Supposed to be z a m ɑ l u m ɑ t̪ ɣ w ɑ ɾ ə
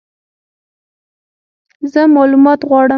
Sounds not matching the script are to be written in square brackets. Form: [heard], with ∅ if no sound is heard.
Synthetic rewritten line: z [ə] m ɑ l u m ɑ t̪ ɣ w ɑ [ɽ] ə